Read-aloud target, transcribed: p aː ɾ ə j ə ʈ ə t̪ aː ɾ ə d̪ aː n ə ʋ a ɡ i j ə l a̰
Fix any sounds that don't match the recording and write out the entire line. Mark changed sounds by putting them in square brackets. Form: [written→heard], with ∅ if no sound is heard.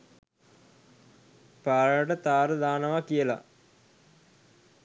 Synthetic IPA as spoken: p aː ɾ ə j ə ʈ ə t̪ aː ɾ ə d̪ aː n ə ʋ a [ɡ→k] i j ə l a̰